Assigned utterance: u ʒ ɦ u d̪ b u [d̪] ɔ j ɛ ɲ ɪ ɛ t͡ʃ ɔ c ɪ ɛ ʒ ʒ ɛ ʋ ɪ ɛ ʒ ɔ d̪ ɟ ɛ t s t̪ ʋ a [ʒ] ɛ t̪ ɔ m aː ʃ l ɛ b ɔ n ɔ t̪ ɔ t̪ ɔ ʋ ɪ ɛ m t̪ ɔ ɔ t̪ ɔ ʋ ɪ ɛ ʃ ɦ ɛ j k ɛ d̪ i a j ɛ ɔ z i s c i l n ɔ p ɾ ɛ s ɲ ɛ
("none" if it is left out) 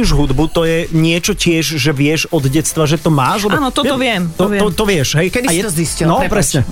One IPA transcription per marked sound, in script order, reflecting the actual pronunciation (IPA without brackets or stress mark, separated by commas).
t̪, ʒ